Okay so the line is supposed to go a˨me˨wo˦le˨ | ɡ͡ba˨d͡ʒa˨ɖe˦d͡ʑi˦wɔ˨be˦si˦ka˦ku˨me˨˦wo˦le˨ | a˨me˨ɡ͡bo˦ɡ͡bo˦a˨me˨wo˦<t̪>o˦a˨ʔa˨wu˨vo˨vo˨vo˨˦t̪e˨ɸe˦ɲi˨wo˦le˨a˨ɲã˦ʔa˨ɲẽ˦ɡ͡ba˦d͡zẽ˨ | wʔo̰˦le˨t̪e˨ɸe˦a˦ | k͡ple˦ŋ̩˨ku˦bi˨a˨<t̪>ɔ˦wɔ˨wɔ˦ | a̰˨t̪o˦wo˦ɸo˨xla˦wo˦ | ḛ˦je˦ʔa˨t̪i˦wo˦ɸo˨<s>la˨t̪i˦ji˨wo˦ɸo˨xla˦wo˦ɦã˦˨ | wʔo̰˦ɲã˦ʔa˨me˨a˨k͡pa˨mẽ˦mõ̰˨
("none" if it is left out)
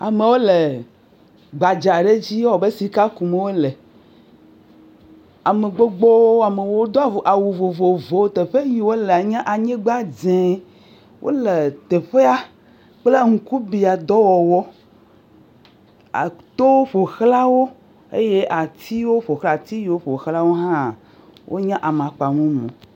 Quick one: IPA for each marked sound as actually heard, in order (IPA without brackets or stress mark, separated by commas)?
d̪, d̪, x